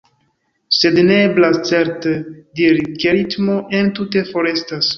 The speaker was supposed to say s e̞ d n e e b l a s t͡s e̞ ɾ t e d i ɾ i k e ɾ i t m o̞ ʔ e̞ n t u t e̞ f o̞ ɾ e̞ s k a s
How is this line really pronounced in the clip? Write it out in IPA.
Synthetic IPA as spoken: s e̞ d n e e b l a s t͡s e̞ ɾ t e d i ɾ i k e ɾ i t m o̞ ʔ e̞ n t u t e̞ f o̞ ɾ e̞ s t a s